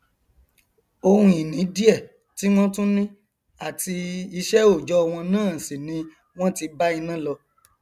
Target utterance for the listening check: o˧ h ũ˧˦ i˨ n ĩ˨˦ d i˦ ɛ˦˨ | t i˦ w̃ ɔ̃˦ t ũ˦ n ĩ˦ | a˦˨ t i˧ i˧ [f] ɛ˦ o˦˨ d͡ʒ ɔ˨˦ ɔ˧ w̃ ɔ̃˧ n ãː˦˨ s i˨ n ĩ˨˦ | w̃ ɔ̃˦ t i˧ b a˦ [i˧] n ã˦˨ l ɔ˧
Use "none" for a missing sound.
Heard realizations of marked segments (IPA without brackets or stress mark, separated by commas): ʃ, i˧